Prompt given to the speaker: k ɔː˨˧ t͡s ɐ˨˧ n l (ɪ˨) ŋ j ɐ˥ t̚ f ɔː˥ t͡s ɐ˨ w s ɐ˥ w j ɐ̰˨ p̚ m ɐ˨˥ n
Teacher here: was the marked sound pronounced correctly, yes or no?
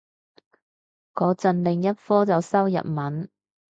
yes